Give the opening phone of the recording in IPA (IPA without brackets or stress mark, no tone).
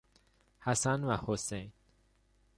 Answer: h